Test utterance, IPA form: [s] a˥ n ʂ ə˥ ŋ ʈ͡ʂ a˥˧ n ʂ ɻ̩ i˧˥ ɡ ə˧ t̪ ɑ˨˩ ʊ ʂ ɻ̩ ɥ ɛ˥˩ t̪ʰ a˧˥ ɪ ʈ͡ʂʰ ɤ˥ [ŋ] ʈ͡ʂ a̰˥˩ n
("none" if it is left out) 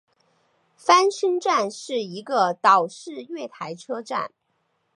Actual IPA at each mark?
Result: f, none

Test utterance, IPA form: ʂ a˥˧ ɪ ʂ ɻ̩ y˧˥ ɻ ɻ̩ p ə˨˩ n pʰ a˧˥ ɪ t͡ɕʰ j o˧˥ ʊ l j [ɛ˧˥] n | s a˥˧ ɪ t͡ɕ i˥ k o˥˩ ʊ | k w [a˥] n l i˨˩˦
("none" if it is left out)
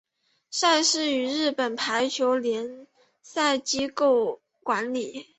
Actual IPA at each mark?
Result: ɛ˧˥, a˧˥

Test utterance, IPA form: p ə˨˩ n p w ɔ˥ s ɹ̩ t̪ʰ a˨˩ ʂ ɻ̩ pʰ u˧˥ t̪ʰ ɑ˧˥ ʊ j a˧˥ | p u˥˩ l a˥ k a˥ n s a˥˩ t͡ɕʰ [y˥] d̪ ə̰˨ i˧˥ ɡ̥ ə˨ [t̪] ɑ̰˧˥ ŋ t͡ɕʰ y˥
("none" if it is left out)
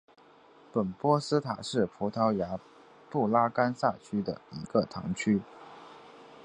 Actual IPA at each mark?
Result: y˥, t̪ʰ

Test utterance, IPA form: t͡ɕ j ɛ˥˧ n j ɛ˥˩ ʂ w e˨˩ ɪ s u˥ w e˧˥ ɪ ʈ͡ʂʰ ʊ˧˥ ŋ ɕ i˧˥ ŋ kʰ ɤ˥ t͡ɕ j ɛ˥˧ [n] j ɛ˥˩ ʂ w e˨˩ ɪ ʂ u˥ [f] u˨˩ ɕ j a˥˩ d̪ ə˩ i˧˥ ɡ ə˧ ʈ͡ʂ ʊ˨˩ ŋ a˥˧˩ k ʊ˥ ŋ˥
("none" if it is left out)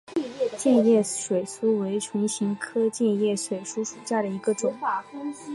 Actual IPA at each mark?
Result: n, ʂ

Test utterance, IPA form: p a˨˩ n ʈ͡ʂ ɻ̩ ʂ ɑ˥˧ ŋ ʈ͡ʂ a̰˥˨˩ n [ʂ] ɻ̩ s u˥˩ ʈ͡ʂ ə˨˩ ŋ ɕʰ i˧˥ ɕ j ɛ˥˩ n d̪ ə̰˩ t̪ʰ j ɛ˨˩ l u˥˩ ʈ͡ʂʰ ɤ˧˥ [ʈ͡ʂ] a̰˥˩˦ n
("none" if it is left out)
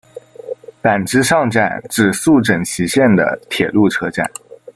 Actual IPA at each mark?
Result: ʈ͡ʂ, ʈ͡ʂ

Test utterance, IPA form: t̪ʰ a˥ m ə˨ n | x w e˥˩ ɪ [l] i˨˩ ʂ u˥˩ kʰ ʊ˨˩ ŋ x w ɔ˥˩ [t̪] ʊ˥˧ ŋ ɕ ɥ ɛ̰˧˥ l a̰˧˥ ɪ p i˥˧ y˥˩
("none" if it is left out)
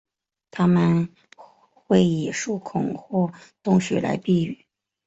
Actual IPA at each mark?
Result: none, t̪

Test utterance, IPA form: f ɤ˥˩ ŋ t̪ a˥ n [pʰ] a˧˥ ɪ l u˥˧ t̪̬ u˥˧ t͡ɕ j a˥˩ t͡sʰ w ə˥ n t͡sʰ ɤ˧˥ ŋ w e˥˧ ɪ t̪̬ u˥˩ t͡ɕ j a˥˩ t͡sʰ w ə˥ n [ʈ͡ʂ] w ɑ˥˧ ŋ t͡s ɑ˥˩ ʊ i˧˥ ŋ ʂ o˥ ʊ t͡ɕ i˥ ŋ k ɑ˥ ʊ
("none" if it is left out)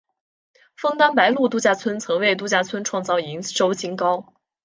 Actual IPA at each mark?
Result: p, ʈ͡ʂʰ

